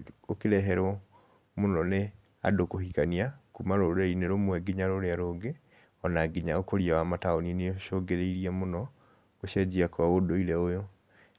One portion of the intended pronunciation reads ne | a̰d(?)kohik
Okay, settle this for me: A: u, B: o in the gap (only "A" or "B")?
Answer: B